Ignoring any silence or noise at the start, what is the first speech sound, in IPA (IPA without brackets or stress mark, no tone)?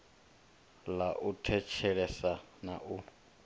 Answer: l